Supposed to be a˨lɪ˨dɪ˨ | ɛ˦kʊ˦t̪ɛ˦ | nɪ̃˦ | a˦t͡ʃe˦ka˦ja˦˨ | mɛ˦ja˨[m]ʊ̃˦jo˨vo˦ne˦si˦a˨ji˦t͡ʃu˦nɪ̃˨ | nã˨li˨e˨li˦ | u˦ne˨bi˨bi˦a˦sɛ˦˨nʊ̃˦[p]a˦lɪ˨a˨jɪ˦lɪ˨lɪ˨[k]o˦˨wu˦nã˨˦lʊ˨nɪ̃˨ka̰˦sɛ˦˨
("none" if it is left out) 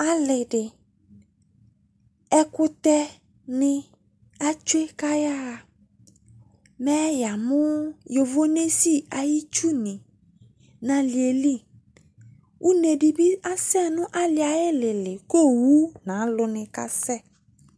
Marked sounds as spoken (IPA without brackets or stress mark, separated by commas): m, ʔ, k